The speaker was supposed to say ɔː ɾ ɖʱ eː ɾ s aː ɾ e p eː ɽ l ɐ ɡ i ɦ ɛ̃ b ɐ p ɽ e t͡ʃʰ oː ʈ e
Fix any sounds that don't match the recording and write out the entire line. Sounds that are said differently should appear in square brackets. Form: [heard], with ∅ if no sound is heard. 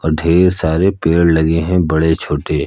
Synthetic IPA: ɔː ɾ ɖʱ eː ɾ s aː ɾ e p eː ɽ l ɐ ɡ [e] ɦ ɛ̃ b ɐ [∅] ɽ e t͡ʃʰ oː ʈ e